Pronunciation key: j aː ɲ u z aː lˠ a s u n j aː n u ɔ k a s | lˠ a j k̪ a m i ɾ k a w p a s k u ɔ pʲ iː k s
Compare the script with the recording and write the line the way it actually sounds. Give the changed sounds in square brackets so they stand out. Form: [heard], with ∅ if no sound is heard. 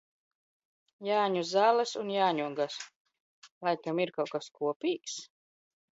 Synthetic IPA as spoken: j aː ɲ u z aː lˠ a s u n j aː [ɲ] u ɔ [ɡ] a s | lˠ a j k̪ a m i ɾ k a w [k] a s k u ɔ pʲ iː k s